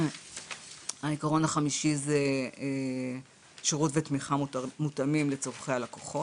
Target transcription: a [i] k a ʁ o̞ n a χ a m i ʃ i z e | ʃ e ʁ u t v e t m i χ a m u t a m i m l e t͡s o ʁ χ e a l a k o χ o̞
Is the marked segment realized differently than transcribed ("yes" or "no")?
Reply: no